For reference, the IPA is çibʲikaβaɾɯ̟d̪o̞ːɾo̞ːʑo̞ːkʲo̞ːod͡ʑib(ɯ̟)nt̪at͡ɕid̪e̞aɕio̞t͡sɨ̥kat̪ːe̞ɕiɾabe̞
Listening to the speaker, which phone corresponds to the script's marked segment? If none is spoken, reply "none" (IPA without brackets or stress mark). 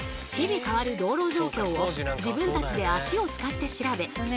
ɯ̟̃